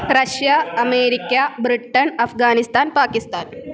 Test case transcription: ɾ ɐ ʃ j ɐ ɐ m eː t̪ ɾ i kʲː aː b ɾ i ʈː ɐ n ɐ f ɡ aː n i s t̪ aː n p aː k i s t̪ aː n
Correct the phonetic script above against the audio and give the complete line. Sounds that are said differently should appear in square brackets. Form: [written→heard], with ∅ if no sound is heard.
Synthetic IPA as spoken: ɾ ɐ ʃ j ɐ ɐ m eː [t̪→∅] ɾ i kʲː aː b ɾ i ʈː ɐ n ɐ f ɡ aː n i s t̪ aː n p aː k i s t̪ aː n